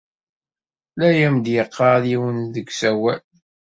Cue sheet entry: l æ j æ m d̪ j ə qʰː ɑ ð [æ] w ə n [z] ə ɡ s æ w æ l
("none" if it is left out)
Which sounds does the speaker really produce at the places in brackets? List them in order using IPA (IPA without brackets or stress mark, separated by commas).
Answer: i, ð